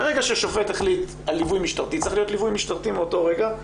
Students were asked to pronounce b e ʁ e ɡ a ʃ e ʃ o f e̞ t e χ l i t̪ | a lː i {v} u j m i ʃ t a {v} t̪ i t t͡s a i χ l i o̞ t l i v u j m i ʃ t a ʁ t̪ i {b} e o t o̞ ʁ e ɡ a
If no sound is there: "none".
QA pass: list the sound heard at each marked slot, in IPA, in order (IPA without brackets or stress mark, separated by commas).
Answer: v, ʁ, m